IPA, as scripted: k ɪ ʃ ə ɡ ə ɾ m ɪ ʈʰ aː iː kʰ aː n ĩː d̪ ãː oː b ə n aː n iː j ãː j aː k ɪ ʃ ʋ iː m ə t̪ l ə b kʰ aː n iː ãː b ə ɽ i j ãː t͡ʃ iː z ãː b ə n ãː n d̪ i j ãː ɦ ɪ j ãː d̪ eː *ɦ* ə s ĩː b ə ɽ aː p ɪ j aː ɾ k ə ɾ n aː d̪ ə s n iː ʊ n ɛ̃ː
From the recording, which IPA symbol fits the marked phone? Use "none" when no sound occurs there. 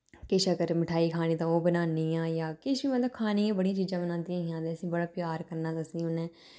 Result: none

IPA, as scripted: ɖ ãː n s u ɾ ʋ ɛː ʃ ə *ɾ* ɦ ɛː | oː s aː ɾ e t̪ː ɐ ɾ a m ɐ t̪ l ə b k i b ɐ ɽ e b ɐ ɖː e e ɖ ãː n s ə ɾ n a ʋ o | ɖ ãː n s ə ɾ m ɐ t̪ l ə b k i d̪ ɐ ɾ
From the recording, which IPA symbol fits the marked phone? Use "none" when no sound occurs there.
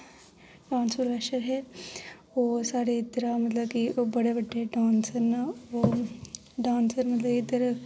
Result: ɾ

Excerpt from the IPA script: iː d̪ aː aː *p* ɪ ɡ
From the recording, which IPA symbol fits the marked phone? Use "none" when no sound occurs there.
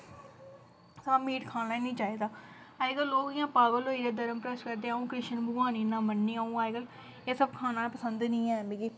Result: none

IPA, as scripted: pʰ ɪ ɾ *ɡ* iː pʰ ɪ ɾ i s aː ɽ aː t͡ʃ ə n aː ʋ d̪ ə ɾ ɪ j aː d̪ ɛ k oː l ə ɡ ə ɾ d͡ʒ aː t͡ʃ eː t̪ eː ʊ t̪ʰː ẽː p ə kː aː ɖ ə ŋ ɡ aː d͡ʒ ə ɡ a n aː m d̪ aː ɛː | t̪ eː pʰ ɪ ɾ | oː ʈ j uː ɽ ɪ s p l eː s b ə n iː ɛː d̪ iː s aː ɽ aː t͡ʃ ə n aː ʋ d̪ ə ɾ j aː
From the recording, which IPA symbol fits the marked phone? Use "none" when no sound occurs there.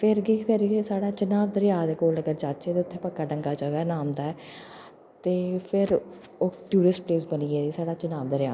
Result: ɡ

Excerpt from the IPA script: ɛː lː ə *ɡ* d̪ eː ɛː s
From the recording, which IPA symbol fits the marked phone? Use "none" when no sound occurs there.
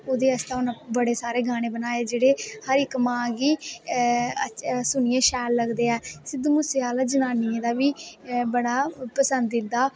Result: ɡ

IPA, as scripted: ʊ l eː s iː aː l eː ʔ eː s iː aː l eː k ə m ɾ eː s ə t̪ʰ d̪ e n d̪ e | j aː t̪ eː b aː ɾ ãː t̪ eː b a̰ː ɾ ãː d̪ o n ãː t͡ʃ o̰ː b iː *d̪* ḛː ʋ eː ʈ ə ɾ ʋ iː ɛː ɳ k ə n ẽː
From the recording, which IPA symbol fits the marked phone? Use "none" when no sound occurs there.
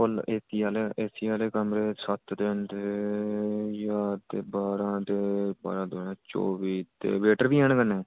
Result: t̪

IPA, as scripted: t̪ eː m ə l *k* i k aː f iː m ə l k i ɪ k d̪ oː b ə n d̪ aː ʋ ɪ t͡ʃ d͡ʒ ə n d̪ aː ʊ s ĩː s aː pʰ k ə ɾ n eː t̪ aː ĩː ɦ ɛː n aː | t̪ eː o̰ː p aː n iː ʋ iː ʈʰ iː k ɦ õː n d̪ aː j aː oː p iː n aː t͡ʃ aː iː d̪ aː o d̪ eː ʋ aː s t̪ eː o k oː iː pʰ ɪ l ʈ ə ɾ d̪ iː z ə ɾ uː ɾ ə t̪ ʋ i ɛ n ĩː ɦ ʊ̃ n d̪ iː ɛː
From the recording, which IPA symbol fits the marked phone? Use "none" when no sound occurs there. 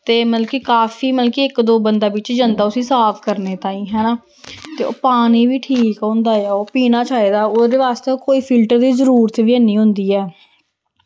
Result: k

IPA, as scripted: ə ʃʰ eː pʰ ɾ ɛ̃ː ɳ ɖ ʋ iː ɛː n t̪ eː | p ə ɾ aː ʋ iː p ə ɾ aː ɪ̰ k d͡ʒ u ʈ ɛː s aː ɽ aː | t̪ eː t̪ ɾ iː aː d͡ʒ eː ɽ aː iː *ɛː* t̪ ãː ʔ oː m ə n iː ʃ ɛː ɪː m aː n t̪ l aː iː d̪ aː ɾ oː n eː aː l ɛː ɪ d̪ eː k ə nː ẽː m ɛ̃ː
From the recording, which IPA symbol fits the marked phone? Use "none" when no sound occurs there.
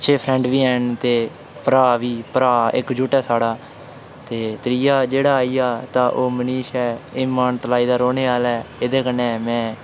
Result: aː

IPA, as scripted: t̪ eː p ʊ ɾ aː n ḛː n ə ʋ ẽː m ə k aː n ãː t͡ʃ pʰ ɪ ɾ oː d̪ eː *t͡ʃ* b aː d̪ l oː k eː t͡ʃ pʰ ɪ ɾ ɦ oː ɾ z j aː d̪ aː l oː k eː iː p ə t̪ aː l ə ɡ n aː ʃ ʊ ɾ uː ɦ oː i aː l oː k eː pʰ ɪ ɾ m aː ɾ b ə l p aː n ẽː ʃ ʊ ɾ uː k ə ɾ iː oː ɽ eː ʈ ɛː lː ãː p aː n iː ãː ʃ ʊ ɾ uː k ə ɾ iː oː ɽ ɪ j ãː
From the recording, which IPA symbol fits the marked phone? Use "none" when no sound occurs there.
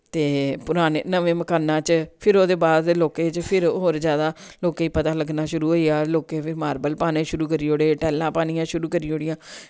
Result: none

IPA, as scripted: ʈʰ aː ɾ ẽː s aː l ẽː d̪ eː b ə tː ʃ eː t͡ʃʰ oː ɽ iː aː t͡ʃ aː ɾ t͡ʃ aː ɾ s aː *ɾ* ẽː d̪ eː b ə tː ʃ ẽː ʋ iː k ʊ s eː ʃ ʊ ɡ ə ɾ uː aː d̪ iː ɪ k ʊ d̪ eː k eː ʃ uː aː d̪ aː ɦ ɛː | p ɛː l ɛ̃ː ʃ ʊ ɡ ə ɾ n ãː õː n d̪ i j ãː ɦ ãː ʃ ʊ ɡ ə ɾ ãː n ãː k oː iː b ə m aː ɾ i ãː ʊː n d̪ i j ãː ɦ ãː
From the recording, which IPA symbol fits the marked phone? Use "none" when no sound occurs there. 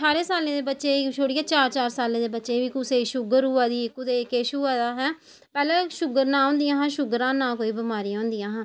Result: l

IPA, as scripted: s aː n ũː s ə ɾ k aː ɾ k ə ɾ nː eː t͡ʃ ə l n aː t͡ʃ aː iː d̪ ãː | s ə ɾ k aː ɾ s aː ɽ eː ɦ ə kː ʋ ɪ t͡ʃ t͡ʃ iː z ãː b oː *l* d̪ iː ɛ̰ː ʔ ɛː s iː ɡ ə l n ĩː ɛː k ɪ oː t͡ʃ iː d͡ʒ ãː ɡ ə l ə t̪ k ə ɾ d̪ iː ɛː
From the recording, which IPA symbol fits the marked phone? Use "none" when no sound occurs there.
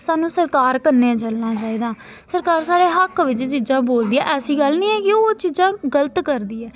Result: l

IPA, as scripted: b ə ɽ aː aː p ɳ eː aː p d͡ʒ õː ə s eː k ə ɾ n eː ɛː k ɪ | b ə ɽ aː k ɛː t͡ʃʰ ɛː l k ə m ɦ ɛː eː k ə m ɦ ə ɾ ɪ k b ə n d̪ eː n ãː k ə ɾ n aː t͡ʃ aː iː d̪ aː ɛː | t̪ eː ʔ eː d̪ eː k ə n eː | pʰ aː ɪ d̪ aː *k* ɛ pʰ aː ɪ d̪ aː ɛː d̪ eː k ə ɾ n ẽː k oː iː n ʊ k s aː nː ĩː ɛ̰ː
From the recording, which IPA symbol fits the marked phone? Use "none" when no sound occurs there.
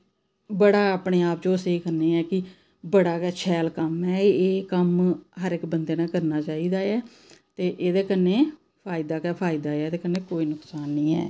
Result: k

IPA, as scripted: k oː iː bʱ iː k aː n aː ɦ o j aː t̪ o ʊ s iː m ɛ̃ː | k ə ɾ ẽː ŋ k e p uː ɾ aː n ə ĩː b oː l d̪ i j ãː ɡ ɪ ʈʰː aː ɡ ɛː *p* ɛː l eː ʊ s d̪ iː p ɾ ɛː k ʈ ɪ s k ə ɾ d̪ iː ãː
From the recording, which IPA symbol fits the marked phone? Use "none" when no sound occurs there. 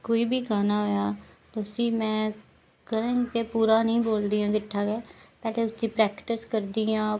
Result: p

